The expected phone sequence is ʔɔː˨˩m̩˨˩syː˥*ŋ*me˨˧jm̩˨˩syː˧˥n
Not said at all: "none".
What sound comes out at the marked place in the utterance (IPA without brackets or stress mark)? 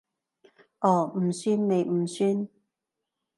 n